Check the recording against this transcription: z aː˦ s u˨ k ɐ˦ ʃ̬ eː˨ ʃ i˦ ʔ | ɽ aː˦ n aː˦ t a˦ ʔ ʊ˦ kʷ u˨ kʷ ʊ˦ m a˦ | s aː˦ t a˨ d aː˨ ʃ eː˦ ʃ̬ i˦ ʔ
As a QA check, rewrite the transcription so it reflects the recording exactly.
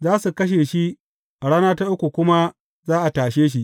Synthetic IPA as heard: z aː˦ s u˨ k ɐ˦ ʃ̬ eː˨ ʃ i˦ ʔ | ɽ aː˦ n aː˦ t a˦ ʔ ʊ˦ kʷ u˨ kʷ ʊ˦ m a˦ | z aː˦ ʔ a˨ t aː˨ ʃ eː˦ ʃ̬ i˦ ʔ